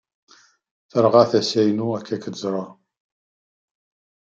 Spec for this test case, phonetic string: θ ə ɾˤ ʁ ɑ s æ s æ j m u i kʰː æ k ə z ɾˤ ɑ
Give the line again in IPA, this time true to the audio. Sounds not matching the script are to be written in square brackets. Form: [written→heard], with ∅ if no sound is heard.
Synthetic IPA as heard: θ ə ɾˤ ʁ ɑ [s→θ] æ s æ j [m→n] u [i→æ] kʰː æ k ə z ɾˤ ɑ

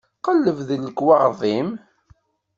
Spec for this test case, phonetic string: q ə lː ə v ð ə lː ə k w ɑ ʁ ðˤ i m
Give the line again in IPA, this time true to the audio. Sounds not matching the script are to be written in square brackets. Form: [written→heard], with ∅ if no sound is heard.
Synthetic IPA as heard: q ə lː ə v ð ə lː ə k w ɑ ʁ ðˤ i m

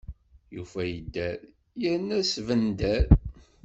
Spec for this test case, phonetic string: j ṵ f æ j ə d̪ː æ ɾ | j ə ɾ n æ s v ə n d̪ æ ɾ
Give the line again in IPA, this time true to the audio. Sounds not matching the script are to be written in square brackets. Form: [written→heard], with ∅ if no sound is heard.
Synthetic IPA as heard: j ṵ f æ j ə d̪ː æ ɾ | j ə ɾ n æ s v ə n d̪ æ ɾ

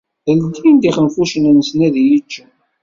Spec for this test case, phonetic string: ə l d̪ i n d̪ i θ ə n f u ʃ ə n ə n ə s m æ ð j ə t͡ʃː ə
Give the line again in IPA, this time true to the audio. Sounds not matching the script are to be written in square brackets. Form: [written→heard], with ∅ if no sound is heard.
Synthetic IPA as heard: ə l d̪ i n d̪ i [θ→χ] ə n f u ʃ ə n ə n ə s [m→n] æ ð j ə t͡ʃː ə

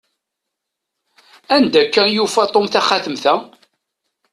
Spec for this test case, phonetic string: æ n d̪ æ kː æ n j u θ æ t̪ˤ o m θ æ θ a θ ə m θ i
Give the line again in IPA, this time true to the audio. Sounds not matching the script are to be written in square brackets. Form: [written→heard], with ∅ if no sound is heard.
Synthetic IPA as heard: æ n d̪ æ kː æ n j u [θ→f] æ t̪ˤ o m θ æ [θ→χ] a θ ə m θ [i→æ]

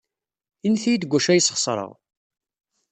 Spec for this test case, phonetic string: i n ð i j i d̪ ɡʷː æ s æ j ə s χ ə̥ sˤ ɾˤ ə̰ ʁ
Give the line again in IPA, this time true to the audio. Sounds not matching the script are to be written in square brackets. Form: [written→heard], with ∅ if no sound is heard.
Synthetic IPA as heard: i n [ð→θ] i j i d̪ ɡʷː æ [s→ʃ] æ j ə s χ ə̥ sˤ ɾˤ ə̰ ʁ

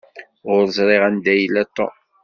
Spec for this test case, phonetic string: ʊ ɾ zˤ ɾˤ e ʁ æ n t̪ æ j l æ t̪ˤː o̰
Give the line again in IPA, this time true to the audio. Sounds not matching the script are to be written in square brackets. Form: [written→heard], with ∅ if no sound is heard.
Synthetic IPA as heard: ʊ ɾ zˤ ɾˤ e ʁ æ n [t̪→d̪] æ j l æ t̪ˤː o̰

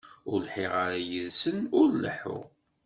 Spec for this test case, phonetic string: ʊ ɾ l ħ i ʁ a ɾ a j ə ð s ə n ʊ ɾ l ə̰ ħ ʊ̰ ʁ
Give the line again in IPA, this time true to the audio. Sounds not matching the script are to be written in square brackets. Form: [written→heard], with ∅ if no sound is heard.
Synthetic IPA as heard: ʊ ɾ l ħ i ʁ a ɾ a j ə ð s ə n ʊ ɾ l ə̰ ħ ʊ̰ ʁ

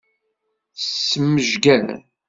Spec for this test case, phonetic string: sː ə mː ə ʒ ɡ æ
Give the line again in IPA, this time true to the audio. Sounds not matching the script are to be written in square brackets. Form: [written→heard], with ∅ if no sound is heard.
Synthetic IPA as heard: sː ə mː ə ʒ ɡ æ

